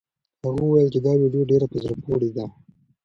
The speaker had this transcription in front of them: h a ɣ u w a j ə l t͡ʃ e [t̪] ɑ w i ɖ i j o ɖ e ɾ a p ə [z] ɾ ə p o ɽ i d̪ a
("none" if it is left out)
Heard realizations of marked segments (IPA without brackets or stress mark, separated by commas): d̪, z